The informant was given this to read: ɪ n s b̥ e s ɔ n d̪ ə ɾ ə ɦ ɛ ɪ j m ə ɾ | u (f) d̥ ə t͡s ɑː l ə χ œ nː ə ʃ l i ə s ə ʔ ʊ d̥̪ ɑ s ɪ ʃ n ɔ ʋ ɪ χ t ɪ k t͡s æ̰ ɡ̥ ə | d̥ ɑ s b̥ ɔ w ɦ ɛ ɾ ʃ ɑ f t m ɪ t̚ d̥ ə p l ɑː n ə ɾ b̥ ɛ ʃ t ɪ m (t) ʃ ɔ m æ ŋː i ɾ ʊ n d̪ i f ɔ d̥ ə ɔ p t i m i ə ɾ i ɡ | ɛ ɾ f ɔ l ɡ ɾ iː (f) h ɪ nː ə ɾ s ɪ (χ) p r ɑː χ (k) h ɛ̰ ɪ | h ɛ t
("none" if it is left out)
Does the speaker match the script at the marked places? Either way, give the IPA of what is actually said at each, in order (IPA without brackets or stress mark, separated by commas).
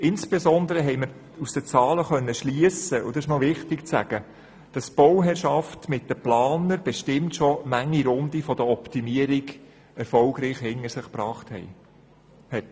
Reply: s, t, χ, χ, t